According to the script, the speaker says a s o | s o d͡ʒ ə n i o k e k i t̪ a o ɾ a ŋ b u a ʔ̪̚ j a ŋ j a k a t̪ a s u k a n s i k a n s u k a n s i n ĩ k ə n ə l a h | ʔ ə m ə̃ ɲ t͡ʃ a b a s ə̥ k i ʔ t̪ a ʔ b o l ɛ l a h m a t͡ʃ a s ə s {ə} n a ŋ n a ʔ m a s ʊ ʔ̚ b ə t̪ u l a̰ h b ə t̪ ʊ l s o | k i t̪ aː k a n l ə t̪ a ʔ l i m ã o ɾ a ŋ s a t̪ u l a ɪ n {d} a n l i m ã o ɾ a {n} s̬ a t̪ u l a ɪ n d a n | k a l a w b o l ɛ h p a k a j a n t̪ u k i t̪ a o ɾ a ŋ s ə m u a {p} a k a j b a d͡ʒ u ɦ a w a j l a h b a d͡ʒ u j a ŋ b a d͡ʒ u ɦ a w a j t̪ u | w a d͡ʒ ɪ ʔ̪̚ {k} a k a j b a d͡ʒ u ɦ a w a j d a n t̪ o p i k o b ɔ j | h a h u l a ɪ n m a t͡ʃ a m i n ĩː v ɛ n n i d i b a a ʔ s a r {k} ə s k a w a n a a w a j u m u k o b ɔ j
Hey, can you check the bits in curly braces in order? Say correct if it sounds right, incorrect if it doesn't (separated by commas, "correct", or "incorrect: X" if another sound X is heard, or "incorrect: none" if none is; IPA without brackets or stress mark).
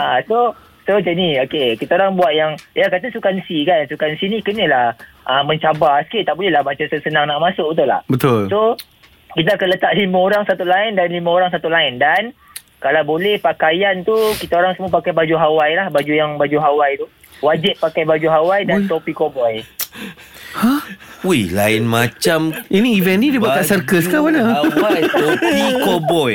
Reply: correct, correct, incorrect: ŋ, correct, incorrect: p, correct